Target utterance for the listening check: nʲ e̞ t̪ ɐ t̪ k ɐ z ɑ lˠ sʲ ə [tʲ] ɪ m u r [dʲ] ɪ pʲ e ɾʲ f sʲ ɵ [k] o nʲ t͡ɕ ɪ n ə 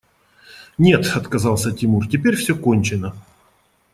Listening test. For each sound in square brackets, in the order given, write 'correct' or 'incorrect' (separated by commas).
correct, incorrect, correct